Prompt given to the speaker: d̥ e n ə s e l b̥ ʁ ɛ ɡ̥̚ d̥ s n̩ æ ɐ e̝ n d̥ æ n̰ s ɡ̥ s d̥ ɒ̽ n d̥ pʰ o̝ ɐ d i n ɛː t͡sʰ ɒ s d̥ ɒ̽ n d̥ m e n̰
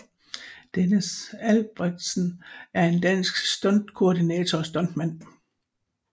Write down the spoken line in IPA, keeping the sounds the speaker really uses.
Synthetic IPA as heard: d̥ e n ə s æ l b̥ ʁ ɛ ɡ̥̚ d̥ s n̩ æ ɐ e̝ n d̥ æ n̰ s ɡ̥ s d̥ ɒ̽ n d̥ kʰ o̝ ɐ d i n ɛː t͡sʰ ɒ s d̥ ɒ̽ n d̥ m æ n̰